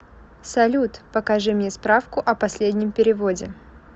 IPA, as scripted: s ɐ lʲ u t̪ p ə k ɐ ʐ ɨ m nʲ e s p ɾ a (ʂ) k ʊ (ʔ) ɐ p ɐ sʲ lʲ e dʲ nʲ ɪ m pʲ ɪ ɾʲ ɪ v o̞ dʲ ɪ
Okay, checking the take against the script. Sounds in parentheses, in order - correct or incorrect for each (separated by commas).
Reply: incorrect, correct